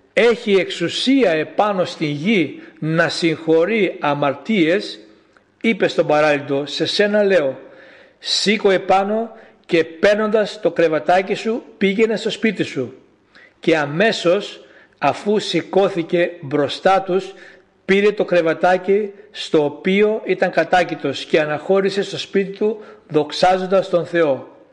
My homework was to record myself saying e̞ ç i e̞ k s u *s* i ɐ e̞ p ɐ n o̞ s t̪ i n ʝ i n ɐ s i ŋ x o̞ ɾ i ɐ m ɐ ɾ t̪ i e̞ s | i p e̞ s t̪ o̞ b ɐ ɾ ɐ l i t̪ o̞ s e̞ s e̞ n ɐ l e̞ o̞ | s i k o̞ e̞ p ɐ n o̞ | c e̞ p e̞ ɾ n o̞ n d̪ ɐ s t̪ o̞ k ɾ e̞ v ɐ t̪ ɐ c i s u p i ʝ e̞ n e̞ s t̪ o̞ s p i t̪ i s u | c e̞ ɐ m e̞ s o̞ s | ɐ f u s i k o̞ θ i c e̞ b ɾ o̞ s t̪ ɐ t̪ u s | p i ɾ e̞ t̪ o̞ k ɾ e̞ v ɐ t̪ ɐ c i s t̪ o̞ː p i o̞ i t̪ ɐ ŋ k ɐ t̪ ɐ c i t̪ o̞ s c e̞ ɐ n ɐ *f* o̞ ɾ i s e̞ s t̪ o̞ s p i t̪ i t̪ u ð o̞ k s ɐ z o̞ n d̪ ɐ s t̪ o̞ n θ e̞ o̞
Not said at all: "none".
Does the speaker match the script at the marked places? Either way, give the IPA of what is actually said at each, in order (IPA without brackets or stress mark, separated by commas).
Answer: s, x